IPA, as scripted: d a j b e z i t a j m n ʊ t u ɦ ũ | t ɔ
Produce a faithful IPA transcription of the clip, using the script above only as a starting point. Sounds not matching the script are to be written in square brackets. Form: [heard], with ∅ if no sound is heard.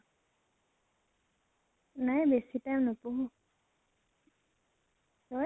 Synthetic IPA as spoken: [n] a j b e [s] i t a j m n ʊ [p] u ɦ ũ | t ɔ